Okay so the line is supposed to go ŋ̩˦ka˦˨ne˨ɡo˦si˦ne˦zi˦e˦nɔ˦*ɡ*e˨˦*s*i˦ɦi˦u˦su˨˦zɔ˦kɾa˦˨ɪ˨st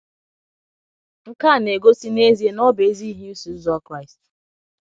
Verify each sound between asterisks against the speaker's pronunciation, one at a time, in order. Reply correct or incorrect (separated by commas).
incorrect, incorrect